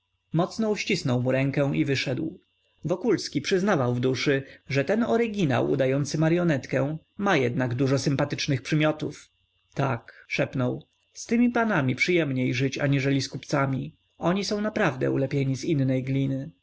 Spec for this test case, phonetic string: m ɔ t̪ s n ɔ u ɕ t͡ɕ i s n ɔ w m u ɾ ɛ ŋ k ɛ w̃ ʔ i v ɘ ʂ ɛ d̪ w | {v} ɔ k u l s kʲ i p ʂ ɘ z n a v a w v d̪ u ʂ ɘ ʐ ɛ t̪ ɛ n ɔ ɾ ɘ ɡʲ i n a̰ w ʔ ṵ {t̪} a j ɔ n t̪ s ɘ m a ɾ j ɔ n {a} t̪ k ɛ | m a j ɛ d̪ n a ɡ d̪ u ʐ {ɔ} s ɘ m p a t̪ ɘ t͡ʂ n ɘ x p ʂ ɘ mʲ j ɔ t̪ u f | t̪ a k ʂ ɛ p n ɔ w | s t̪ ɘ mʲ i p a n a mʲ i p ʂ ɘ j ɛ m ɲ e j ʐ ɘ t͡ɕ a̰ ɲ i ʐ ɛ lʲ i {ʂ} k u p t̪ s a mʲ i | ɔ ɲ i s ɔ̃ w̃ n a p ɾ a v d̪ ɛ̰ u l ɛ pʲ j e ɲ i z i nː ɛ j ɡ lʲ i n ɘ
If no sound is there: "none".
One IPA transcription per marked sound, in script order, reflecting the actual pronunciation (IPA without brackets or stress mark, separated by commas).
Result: v, d̪, ɛ, ɔ, s